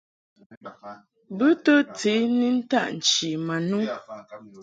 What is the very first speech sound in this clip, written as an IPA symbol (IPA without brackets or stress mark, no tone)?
b